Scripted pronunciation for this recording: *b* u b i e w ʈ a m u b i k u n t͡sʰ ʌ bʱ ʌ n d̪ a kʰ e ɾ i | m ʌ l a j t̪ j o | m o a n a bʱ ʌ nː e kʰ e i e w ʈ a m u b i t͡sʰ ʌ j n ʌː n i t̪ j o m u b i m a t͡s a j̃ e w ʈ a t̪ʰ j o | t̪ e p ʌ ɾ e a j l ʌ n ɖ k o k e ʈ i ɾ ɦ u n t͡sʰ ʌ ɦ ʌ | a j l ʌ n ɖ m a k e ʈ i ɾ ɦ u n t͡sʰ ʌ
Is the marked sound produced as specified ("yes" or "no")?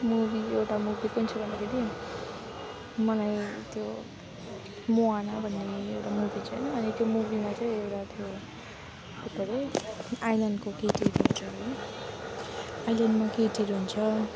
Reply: no